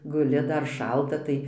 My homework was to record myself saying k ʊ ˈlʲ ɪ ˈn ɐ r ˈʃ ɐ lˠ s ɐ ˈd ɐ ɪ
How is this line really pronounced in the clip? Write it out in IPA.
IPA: ɡ ʊ ˈlʲ ɪ ˈd ɐ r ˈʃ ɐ lˠ t ɐ ˈt ɐ ɪ